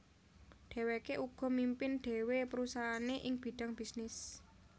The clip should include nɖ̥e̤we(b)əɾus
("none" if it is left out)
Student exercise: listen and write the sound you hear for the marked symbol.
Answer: p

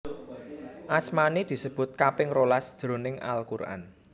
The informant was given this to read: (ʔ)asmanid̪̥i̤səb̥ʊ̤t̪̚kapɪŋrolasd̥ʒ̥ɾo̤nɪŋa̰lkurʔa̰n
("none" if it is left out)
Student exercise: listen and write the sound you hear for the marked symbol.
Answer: ʔ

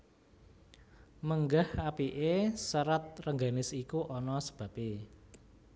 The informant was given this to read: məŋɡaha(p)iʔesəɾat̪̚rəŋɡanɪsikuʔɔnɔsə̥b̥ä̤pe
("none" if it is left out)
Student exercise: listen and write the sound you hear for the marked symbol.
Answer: p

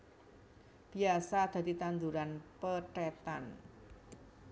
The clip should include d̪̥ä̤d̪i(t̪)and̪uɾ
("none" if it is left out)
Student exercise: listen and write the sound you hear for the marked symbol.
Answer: t̪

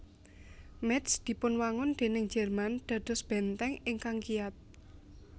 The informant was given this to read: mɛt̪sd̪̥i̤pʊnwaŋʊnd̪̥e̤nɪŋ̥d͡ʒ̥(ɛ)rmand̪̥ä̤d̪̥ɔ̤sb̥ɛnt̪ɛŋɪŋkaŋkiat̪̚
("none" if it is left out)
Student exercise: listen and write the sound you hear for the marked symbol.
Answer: ɛ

